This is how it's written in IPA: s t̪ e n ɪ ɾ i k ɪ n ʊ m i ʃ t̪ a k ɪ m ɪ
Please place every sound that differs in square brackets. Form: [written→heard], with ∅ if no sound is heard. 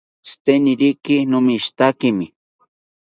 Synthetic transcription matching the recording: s t̪ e n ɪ ɾ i k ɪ n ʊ m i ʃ t̪ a k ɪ m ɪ

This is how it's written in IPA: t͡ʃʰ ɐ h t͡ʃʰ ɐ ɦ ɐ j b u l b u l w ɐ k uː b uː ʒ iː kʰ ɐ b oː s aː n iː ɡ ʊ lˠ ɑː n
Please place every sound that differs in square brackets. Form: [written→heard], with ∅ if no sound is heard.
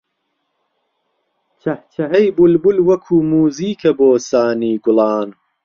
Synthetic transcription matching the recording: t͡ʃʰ ɐ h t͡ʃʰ ɐ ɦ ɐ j b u l b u l w ɐ [k→kʰ] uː [b→m] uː [ʒ→z] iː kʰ ɐ b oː s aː n iː ɡ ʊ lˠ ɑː n

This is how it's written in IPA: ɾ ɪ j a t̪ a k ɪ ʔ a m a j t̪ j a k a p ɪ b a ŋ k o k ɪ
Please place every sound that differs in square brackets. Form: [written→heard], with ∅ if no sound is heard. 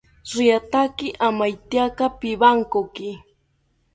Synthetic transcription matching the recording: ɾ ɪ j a t̪ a k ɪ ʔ a m a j t̪ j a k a p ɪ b a ŋ k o k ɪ

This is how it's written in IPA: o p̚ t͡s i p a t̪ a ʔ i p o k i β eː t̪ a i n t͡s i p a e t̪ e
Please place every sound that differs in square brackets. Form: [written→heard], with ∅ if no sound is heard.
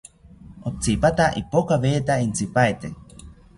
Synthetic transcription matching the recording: o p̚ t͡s i p a t̪ a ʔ i p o k [i→a] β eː t̪ a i n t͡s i p a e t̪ e

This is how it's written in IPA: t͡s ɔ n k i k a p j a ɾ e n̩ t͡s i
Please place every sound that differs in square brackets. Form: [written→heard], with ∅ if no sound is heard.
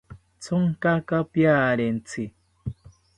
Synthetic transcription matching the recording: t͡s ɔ [n→ŋ] k [i→a] k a p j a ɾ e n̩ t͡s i

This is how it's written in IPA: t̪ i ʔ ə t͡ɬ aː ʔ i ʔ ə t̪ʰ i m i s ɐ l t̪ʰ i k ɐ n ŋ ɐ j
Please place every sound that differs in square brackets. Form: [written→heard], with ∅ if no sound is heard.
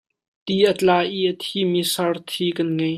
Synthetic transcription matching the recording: t̪ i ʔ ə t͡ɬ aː ʔ i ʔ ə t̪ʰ i m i s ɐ [l→r] t̪ʰ i k ɐ n ŋ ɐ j

